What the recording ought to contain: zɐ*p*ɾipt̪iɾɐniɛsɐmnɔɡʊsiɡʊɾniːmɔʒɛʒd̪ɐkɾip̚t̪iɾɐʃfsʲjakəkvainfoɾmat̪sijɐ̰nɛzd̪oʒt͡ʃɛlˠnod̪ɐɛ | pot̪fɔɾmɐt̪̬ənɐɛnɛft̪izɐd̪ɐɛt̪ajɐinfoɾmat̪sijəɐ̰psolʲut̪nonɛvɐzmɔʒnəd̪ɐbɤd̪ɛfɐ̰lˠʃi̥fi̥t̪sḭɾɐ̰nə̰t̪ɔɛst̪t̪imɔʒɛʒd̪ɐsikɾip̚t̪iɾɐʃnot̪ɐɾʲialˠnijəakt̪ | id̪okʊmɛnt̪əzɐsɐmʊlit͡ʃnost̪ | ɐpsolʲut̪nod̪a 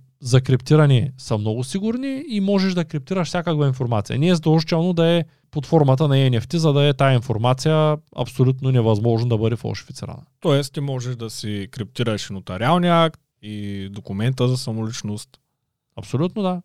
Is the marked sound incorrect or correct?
incorrect